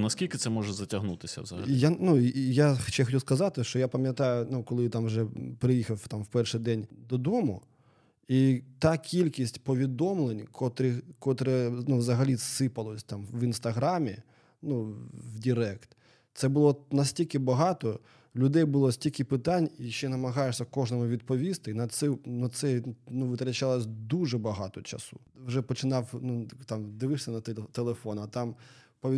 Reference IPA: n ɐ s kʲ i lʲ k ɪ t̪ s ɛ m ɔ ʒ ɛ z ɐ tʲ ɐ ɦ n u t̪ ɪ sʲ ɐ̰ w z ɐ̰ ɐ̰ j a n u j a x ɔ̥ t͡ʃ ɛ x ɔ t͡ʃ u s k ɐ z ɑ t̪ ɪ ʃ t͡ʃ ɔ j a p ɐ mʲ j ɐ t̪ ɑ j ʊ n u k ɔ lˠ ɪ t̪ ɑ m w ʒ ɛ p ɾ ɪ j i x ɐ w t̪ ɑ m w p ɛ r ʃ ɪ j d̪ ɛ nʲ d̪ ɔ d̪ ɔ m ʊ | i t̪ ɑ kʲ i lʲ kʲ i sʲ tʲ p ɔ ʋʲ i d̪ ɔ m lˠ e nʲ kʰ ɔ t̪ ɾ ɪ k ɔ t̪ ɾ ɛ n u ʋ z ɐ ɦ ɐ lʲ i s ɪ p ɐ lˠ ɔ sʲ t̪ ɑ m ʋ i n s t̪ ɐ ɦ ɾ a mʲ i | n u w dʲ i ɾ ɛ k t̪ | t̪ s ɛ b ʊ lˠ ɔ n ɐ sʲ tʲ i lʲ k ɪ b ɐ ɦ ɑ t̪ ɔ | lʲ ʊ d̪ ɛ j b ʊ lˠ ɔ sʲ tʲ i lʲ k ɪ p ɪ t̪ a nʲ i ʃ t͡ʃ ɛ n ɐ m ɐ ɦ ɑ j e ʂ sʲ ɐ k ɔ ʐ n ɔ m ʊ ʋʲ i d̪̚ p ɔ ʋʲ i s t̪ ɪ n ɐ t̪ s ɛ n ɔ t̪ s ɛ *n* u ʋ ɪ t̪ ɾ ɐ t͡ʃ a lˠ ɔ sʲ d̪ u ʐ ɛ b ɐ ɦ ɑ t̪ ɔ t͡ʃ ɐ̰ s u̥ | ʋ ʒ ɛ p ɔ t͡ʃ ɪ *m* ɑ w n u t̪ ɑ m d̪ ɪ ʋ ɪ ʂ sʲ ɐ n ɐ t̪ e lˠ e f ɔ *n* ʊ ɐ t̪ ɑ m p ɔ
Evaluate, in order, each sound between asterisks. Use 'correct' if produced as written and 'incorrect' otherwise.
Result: correct, incorrect, correct

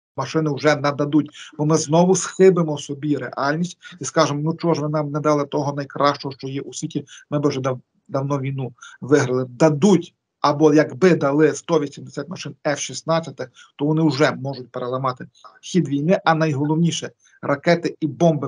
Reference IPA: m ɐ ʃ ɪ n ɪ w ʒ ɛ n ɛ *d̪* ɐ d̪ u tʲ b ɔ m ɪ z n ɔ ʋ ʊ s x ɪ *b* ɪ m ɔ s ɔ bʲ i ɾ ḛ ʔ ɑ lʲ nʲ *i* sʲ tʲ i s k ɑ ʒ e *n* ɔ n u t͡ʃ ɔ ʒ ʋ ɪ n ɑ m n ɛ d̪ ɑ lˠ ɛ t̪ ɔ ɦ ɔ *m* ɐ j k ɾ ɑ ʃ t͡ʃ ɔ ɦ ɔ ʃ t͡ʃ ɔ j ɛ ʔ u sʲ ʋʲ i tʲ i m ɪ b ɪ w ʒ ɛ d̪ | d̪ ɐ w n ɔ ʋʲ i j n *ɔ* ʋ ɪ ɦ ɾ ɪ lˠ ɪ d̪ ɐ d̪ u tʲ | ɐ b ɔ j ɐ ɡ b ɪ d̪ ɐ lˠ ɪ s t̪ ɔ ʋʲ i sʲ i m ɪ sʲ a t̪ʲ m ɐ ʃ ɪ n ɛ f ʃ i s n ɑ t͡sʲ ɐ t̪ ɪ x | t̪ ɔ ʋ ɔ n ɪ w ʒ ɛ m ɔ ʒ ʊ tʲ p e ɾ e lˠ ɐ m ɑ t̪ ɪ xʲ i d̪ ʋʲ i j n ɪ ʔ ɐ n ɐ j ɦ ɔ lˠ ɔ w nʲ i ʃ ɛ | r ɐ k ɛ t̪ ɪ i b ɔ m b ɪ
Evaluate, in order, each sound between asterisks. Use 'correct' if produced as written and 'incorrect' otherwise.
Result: correct, correct, correct, incorrect, incorrect, incorrect

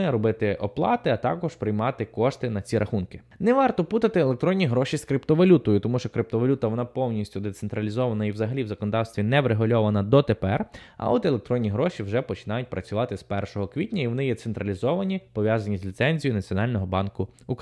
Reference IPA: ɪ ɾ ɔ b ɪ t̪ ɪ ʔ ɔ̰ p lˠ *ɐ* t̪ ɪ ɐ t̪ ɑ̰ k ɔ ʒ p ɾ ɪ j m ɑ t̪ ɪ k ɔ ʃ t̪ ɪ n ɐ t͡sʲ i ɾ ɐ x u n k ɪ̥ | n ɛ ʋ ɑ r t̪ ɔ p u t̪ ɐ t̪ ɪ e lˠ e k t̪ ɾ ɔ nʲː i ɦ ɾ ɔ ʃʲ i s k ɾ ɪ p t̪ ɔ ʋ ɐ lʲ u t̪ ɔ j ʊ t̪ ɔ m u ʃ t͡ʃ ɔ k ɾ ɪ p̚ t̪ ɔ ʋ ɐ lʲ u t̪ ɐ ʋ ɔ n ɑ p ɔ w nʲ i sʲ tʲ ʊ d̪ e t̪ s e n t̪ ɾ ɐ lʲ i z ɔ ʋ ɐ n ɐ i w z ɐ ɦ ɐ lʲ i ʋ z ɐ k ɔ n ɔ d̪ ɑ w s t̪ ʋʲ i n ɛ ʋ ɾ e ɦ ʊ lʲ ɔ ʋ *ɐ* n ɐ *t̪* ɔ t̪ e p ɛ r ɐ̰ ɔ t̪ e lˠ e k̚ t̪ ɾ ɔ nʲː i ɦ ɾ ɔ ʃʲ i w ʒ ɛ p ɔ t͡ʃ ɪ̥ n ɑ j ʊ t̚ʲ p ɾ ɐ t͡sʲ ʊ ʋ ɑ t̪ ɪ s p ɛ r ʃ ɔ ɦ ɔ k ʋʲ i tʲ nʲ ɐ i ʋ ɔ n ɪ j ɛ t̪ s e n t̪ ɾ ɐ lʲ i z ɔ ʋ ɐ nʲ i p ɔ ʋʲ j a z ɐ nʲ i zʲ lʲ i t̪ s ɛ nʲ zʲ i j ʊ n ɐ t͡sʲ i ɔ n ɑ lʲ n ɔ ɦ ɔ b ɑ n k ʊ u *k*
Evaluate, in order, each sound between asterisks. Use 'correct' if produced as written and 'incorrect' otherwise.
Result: incorrect, correct, incorrect, correct

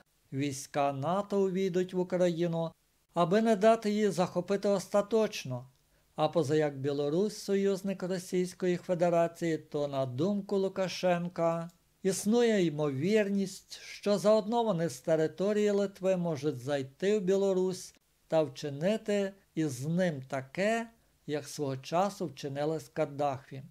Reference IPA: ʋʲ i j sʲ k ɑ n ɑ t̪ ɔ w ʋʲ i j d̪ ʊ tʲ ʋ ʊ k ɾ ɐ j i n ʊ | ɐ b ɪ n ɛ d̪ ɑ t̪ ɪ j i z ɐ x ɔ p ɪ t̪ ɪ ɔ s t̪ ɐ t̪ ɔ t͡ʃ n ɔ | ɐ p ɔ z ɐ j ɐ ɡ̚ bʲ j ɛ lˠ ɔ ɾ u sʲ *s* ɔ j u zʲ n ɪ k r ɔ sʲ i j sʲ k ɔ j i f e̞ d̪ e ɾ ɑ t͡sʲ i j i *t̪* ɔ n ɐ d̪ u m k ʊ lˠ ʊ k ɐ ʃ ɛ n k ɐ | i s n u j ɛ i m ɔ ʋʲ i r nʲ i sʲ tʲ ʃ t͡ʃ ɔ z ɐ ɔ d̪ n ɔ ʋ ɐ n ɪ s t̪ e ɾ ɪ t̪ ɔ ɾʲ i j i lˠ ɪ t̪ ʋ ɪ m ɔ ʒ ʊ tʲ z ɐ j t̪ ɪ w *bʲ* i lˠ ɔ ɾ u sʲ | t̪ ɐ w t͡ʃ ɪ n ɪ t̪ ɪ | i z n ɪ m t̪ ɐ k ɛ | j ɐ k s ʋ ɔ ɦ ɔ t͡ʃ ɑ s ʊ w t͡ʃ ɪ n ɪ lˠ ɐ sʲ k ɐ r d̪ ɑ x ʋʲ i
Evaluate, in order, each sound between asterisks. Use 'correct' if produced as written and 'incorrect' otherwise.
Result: correct, correct, correct

